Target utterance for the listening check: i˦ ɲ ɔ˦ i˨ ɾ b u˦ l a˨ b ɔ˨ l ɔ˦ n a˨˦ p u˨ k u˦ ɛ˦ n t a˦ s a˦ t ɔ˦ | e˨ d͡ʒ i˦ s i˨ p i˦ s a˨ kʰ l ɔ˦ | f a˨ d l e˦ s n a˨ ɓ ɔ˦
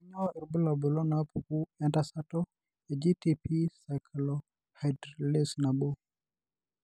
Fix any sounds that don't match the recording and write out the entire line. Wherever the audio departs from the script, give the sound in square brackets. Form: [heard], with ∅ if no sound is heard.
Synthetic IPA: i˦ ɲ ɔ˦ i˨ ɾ b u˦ l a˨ b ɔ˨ l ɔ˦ n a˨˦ p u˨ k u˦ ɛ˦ n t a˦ s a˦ t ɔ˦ | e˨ d͡ʒ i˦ [t] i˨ p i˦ s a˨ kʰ l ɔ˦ | [h] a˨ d l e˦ s n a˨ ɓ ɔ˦

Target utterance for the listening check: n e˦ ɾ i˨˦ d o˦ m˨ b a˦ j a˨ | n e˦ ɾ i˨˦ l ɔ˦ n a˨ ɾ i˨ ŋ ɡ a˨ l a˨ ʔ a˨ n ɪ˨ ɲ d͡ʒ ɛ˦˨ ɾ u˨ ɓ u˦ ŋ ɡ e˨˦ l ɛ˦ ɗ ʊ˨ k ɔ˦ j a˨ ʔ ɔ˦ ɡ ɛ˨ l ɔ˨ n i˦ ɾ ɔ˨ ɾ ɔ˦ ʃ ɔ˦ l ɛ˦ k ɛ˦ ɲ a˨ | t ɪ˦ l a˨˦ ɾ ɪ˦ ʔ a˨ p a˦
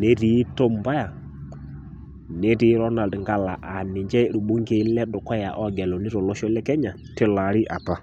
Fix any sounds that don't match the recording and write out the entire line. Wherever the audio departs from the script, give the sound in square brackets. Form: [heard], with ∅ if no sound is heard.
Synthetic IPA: n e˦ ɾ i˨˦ [t] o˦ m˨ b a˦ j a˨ | n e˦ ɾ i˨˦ [ɾ] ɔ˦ n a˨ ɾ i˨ ŋ ɡ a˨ l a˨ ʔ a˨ n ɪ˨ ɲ d͡ʒ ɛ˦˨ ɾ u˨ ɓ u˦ ŋ ɡ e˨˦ l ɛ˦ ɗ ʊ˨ k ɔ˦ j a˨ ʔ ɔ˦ ɡ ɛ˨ l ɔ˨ n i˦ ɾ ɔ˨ [l] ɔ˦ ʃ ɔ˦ l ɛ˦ k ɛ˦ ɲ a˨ | t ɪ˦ l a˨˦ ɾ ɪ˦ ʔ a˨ p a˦

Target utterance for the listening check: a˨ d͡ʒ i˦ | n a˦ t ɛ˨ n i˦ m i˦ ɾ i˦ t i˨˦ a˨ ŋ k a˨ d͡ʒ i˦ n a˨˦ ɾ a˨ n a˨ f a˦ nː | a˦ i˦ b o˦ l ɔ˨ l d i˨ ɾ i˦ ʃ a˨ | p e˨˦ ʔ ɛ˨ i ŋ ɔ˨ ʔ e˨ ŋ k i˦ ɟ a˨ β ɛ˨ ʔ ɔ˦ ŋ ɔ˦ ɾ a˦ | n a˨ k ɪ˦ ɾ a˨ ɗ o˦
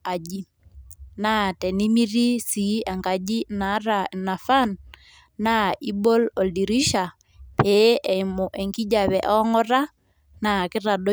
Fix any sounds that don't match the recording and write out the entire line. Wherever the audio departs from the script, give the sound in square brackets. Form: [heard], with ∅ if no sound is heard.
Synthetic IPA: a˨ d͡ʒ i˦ | n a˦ t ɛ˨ n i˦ m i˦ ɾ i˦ [s] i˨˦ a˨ ŋ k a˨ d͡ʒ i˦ n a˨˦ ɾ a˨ n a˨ f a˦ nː | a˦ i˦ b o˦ l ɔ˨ l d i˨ ɾ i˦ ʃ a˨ | p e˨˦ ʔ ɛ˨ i [m] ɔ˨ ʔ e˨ ŋ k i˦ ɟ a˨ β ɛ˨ ʔ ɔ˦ ŋ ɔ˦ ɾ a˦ | n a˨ k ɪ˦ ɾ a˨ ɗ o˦

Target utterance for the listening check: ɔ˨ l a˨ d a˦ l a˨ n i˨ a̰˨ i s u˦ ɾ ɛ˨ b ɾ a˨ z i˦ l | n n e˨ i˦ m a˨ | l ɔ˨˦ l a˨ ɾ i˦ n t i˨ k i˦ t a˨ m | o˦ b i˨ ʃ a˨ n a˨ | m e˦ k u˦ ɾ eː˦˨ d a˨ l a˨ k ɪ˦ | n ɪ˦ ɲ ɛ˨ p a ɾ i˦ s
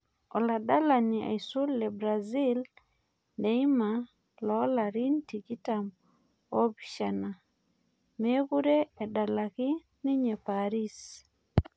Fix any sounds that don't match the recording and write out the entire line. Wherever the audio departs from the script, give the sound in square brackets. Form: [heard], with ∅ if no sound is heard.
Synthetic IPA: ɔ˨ l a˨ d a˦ l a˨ n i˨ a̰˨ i s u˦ [l] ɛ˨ b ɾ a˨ z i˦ l | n [d] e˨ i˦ m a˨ | l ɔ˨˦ l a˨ ɾ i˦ n t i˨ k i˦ t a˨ m | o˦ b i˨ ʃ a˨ n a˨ | m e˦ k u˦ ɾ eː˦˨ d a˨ l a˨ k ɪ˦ | n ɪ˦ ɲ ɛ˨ p a ɾ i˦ s

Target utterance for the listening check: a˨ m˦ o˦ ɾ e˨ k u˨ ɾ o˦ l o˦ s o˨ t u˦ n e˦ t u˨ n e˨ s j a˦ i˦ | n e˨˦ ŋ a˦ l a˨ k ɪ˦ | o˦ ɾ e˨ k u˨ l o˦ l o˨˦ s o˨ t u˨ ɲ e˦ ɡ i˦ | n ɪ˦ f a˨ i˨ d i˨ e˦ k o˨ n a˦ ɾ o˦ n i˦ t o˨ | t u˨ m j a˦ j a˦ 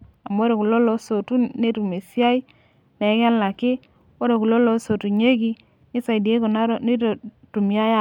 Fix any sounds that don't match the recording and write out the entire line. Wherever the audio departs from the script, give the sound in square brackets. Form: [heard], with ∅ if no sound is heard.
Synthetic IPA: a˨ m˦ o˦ ɾ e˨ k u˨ [l] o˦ l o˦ s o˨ t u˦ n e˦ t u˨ [m] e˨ s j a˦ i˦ | n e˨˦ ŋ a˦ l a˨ k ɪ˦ | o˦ ɾ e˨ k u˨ l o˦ l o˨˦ s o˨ t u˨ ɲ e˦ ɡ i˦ | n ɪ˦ [s] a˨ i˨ d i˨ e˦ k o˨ n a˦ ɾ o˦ n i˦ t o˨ | t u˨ m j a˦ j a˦

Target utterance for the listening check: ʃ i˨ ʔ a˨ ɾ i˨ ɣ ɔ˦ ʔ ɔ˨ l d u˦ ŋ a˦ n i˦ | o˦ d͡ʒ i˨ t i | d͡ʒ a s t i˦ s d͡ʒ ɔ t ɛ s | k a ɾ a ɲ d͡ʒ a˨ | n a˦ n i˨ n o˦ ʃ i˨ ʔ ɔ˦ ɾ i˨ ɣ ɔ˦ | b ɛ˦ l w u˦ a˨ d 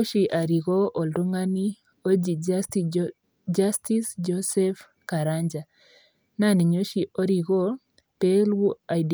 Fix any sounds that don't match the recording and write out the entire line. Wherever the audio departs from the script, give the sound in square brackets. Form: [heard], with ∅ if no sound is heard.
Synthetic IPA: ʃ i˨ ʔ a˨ ɾ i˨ ɣ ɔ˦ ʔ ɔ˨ l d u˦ ŋ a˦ n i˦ | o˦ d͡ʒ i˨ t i | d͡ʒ a s t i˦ s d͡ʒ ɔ [s] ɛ [f] | k a ɾ a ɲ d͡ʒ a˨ | n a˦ n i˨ [ɲ] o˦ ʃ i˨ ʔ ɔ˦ ɾ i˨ ɣ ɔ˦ | [p] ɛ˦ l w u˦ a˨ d

